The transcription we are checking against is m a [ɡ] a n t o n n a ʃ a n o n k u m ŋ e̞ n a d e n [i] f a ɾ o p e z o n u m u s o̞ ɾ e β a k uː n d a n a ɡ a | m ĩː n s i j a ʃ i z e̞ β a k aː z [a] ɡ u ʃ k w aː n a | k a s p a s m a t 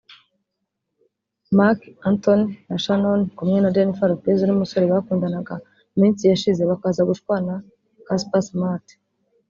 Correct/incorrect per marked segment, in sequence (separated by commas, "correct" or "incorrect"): incorrect, correct, correct